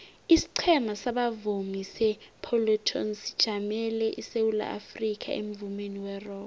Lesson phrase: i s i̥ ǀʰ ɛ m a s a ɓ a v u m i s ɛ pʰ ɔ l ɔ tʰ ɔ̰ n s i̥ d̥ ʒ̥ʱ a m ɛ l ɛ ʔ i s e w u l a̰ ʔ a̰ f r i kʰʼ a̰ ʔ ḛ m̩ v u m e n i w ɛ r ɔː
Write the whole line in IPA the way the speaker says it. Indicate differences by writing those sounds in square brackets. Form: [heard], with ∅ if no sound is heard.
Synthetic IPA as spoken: i s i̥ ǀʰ ɛ m a s a ɓ a v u m i s ɛ pʰ ɔ l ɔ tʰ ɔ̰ n s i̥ d̥ ʒ̥ʱ a m ɛ l ɛ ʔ i s e w u l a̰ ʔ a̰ f r i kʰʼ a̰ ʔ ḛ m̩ v u m e n i w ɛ r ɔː